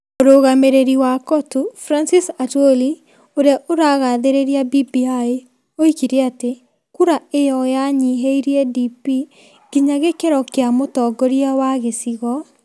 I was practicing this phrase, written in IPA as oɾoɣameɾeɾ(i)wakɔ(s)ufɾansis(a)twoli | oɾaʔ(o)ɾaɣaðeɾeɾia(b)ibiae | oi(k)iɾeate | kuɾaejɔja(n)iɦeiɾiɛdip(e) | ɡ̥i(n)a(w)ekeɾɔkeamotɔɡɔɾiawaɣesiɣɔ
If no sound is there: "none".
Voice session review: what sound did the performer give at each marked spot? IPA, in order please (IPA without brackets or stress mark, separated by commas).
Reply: i, t, a, o, b, k, ɲ, i, ɲ, ɣ